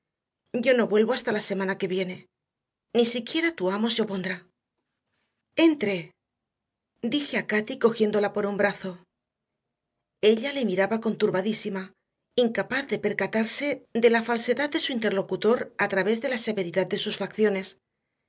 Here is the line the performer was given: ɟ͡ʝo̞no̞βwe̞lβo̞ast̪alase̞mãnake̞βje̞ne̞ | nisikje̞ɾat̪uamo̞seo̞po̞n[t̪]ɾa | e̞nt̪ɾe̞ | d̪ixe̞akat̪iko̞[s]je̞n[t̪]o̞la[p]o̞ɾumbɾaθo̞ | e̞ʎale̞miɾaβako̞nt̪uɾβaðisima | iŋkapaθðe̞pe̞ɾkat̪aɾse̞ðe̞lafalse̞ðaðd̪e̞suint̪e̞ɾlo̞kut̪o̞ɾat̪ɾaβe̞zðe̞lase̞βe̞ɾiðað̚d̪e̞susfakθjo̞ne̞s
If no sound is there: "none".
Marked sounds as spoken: d̪, x, d̪, p

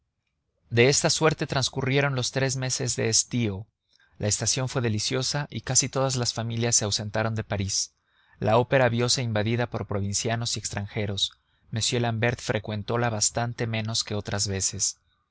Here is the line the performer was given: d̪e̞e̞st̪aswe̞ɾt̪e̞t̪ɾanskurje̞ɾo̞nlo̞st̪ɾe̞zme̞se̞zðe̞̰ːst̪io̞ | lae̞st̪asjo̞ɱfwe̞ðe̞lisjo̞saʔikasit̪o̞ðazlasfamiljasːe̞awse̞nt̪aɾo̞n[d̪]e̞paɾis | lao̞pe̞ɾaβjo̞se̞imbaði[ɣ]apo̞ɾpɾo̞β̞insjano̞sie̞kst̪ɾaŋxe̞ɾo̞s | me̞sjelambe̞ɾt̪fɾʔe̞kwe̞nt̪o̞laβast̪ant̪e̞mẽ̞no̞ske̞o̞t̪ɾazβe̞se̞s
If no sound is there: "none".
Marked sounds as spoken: d̪, ð

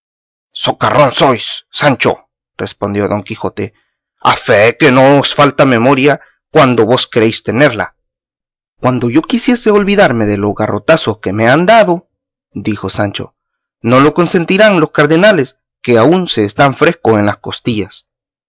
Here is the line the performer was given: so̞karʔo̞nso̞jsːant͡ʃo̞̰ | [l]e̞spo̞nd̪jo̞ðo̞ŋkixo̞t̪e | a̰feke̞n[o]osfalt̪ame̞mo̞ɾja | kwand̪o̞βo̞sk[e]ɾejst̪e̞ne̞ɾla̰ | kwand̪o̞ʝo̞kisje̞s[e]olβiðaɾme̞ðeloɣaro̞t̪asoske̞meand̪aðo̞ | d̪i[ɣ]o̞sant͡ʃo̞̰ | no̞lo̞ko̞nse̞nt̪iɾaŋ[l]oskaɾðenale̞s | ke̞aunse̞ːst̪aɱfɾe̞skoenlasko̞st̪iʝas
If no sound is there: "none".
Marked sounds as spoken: r, o, e, e, x, l

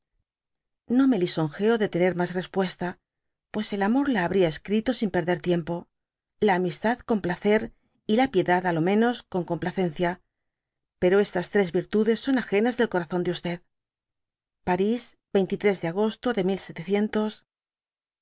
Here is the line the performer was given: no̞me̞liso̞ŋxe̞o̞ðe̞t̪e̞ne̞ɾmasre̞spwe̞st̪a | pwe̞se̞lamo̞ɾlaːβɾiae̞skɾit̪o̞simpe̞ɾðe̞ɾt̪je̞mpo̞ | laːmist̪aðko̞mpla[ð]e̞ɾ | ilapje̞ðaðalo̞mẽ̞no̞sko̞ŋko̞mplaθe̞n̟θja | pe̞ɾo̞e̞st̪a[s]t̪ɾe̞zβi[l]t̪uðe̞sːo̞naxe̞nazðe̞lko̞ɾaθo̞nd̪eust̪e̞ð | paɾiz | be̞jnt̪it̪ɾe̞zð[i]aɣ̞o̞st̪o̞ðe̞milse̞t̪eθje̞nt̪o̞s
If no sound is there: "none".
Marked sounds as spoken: θ, s, ɾ, e

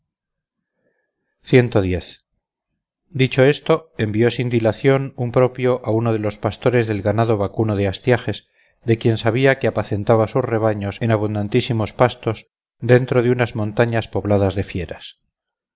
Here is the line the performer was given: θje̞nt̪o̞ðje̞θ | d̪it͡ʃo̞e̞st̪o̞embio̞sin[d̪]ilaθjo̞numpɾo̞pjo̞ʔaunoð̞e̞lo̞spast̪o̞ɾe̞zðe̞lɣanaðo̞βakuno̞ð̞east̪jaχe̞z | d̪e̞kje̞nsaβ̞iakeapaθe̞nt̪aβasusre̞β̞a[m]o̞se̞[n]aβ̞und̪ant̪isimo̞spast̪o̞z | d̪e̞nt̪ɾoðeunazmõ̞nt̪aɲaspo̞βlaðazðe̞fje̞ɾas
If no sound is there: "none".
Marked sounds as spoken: d̪, ɲ, n

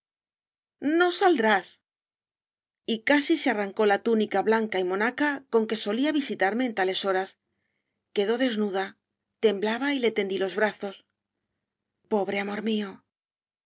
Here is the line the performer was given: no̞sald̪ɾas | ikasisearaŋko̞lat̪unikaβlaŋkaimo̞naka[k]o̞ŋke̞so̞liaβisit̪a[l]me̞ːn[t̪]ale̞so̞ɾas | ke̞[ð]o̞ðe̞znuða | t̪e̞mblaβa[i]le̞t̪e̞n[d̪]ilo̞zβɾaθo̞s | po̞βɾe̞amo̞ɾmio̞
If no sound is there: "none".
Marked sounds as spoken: k, ɾ, t̪, ð, i, d̪

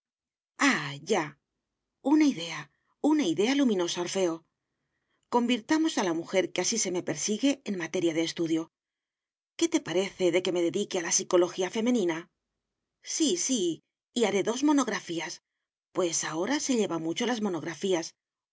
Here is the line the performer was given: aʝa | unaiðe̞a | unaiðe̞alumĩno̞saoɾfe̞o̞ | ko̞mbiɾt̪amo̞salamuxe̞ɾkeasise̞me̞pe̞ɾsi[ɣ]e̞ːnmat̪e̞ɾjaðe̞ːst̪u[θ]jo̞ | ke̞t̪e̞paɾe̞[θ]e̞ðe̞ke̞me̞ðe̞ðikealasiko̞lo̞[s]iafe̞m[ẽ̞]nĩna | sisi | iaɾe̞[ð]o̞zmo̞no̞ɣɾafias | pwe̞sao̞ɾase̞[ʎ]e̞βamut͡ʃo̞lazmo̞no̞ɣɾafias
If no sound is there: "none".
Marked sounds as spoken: ɣ, ð, θ, x, e̞, ð, ʎ

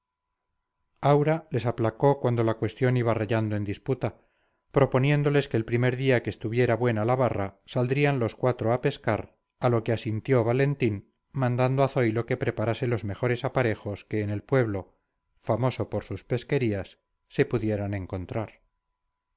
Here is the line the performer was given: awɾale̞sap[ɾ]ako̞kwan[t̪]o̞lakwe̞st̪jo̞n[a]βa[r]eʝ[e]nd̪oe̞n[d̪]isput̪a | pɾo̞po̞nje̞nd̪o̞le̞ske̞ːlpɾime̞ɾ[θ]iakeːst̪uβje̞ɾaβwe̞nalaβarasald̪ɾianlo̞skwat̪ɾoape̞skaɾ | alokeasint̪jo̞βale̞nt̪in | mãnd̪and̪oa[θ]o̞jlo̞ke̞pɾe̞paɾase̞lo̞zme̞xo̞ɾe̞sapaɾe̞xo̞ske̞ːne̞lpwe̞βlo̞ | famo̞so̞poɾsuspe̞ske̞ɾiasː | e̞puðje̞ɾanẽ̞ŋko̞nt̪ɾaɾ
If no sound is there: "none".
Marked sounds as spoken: l, d̪, i, r, a, d̪, ð, θ

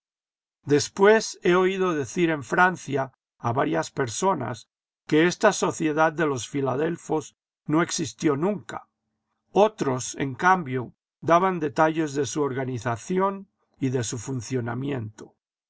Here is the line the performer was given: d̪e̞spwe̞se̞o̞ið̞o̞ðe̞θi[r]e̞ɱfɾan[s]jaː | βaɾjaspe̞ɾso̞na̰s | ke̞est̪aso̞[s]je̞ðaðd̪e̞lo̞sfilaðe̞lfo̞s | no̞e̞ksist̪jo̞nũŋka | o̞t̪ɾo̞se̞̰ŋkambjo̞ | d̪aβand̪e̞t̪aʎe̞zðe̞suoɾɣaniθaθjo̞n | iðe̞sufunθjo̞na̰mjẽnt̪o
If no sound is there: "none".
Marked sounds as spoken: ɾ, θ, θ

